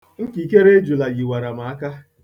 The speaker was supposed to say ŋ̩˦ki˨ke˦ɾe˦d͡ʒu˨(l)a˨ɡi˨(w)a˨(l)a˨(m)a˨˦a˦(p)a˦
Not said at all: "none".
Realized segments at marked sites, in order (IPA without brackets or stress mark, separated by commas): l, w, ɾ, m, k